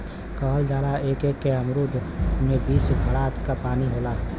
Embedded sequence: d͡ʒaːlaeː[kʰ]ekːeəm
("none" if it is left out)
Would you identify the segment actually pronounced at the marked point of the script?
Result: k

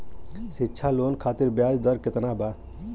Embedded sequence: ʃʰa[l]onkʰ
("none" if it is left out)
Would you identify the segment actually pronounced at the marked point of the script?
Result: l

